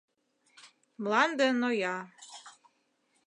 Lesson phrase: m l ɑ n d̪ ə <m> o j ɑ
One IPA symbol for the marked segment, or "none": n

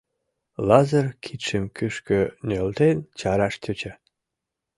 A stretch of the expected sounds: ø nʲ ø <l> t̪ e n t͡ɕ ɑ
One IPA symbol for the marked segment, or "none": l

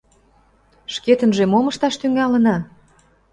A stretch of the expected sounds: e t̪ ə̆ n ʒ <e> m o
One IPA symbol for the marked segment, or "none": e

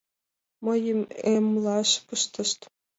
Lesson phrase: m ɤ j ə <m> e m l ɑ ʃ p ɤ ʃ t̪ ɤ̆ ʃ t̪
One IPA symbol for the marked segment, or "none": m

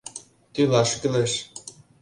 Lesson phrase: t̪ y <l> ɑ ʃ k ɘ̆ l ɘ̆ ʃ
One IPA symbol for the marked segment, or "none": l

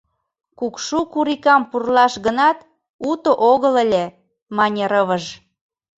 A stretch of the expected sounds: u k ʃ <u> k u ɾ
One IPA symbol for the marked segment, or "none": u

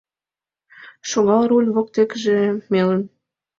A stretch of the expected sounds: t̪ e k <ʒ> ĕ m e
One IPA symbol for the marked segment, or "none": ʒ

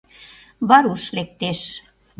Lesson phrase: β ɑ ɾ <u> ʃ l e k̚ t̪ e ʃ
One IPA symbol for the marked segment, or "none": u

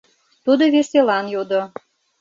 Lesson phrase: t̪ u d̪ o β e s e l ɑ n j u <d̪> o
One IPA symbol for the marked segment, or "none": d̪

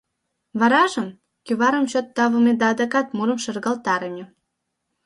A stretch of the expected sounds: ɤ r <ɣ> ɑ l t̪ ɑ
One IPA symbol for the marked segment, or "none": ɣ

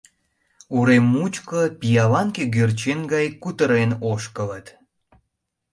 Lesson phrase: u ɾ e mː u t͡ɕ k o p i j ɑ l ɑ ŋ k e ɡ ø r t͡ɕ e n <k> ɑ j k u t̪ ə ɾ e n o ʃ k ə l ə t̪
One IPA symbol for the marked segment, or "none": ɡ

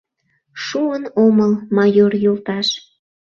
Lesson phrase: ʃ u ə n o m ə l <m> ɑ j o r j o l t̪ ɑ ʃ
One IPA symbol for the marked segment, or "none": m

